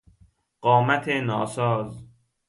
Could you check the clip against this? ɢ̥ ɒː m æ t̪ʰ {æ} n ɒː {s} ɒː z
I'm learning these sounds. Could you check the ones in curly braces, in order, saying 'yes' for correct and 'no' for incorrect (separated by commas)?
no, yes